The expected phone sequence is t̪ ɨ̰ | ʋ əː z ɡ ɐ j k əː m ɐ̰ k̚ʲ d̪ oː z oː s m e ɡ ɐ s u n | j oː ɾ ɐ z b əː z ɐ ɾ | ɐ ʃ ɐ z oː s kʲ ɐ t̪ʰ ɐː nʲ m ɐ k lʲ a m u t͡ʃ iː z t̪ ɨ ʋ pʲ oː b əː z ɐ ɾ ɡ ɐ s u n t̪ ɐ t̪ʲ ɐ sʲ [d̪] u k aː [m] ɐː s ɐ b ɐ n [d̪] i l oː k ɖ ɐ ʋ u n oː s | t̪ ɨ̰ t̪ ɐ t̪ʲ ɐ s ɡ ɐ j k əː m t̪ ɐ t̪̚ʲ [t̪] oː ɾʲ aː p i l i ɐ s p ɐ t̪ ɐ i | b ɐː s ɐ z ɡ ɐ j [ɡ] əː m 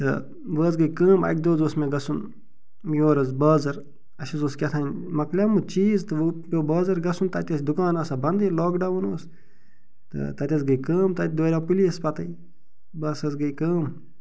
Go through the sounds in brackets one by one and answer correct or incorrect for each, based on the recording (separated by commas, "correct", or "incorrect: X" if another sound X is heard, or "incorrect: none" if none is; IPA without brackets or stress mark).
correct, incorrect: n, correct, incorrect: d̪, incorrect: k